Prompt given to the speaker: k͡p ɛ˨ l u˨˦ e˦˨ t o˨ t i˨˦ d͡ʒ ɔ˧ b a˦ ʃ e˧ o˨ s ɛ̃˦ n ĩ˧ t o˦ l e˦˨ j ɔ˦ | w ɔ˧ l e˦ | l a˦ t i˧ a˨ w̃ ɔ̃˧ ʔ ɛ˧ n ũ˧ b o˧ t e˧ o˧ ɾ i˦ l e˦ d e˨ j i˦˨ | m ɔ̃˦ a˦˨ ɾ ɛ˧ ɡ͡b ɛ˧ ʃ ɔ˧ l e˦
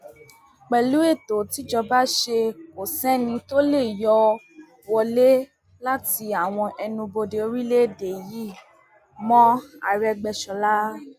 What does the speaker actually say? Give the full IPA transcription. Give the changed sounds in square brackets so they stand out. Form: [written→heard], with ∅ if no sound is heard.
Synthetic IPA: k͡p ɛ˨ l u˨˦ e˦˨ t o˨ t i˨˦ d͡ʒ ɔ˧ b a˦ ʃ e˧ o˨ s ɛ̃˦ n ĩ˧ t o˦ l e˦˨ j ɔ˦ | w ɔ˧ l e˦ | l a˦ t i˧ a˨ w̃ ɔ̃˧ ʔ ɛ˧ n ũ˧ b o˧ [t→d] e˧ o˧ ɾ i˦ l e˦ d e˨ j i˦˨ | m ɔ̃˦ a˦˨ ɾ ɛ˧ ɡ͡b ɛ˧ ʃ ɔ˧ l [e˦→a˦]